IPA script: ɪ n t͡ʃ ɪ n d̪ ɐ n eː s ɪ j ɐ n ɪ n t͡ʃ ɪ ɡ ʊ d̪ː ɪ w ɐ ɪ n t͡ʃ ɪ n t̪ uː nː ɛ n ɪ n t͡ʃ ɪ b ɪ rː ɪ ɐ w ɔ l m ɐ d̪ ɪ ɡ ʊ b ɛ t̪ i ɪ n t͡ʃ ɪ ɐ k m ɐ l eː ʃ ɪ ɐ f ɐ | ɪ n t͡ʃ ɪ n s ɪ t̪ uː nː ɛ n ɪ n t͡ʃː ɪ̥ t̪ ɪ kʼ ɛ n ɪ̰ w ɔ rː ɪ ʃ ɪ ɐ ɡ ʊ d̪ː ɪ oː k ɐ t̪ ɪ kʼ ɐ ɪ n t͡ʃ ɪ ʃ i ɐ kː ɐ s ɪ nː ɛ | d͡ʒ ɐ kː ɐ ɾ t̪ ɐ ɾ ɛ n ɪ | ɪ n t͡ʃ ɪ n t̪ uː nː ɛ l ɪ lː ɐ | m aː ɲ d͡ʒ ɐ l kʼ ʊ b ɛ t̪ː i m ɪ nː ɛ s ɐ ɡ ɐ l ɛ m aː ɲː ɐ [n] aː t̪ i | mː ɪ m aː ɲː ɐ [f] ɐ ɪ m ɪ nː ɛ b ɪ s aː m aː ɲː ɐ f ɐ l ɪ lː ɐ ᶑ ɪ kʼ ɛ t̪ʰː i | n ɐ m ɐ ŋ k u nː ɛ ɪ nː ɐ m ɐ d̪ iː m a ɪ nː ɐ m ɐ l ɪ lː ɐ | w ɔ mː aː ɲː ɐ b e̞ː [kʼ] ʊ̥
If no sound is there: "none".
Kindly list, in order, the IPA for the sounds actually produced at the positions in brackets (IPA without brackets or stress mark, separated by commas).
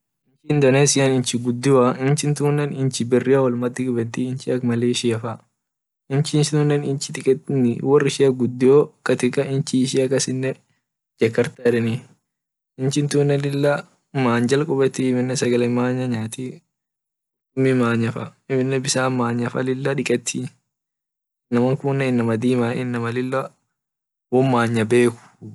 ɲ, f, k